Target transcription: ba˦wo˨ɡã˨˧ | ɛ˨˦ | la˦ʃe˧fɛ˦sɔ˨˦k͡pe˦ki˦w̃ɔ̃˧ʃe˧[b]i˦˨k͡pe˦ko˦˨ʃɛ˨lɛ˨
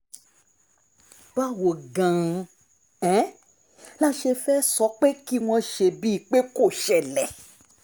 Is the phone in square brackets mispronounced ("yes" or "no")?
no